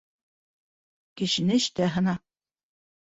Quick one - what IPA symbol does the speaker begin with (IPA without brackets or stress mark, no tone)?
k